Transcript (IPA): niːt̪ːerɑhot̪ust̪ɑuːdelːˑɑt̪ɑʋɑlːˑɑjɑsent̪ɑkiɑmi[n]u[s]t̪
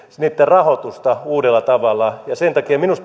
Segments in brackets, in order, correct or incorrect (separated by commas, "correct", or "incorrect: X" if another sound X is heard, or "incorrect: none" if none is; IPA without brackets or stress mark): correct, correct